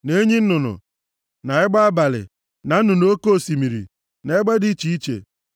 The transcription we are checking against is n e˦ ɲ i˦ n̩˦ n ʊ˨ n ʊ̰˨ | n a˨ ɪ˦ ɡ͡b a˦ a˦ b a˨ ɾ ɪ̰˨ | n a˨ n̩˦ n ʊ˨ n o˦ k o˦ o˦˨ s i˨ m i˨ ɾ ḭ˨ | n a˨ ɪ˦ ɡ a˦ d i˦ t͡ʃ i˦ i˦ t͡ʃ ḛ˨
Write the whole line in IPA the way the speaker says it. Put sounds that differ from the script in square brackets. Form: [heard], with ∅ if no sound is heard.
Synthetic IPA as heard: n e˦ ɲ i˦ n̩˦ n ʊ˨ n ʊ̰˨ | n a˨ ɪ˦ ɡ͡b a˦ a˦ b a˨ [l] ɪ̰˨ | n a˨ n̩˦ n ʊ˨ n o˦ k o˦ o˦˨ s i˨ m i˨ ɾ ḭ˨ | n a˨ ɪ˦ [ɡ͡b] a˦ d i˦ t͡ʃ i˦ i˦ t͡ʃ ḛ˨